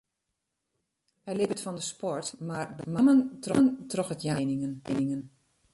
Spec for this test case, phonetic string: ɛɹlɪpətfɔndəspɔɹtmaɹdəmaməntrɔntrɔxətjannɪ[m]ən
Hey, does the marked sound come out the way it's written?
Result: no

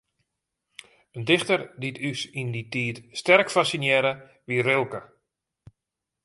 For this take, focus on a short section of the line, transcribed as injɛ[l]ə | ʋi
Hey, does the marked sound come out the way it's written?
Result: no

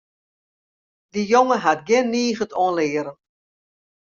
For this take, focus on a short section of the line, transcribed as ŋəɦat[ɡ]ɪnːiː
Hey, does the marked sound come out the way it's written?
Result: yes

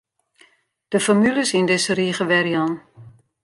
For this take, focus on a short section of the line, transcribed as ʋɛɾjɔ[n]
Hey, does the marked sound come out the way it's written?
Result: yes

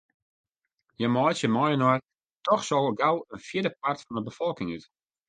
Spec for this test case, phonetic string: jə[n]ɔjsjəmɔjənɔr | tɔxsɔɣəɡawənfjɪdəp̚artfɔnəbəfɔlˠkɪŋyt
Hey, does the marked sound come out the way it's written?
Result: no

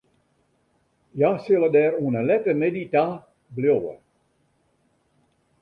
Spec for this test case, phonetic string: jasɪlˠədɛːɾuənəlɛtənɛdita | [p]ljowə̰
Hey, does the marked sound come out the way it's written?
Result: no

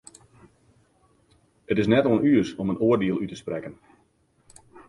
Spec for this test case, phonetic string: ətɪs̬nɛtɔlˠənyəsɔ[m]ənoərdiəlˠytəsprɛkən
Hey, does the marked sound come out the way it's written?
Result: yes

